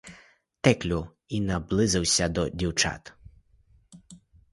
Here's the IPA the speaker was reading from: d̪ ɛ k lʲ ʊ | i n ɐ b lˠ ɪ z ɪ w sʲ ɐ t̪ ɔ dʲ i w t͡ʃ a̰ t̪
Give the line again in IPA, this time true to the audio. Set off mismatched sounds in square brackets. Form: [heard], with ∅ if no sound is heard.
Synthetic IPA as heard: [t̪] ɛ k lʲ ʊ | i n ɐ b lˠ ɪ z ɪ w sʲ ɐ [d̪] ɔ dʲ i w t͡ʃ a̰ t̪